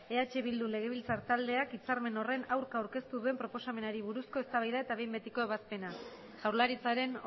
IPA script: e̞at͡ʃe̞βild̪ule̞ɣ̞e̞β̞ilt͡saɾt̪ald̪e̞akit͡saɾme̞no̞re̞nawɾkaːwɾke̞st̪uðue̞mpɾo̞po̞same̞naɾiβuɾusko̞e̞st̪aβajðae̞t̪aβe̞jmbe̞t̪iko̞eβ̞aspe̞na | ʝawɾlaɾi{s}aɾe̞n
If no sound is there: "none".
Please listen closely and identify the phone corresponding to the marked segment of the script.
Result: t͡s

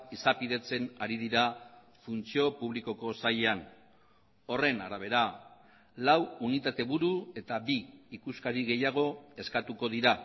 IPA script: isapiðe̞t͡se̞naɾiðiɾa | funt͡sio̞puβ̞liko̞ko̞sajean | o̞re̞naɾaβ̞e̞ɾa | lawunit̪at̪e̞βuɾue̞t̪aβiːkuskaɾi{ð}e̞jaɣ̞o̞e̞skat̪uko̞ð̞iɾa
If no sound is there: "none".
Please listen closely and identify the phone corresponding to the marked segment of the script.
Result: ɣ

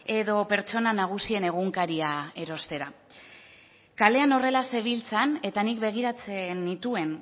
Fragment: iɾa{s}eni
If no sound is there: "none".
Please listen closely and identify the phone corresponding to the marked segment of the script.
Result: t͡s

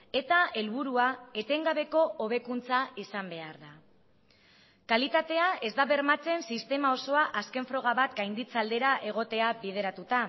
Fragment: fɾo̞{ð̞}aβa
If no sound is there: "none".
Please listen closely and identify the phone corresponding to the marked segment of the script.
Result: ɣ̞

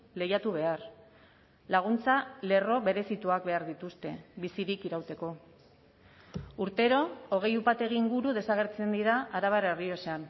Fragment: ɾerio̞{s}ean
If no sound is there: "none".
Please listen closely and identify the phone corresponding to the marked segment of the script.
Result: s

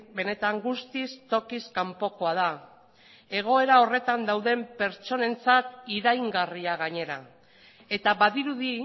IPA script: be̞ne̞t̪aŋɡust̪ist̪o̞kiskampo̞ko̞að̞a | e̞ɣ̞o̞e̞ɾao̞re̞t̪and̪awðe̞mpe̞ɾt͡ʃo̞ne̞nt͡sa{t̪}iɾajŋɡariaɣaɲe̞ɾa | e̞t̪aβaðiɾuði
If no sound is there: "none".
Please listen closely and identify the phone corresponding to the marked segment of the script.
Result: t̪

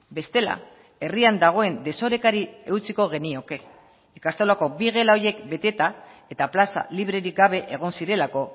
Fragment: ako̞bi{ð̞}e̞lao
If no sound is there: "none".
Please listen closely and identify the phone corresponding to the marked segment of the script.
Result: ɣ̞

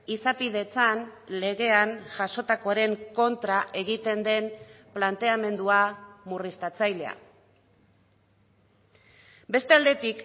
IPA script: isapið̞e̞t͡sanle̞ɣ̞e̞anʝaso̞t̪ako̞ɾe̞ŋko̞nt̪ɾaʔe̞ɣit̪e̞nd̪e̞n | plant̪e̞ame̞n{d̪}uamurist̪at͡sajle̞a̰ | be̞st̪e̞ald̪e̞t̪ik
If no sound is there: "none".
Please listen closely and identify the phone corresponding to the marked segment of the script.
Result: d̪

